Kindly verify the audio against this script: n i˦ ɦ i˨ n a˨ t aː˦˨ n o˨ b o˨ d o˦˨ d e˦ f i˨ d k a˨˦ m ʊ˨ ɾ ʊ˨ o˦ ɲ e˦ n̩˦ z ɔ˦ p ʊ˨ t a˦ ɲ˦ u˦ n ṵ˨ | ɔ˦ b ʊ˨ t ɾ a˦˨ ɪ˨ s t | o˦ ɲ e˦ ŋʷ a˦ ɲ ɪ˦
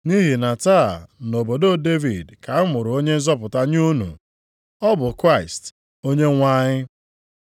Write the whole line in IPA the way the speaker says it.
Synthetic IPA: n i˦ ɦ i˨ n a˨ t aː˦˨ n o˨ b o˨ d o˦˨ d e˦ v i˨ d k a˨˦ m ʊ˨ ɾ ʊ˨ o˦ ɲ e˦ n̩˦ z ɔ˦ p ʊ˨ t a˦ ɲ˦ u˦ n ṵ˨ | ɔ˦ b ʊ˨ k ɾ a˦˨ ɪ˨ s t | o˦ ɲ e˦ ŋʷ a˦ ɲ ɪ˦